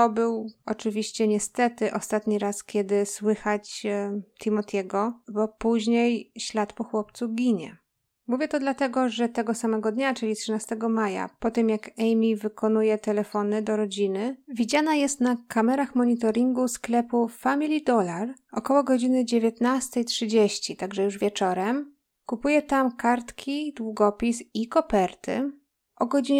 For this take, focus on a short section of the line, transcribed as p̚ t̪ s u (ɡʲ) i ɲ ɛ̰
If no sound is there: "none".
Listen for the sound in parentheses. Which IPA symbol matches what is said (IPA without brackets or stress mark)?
ɡʲ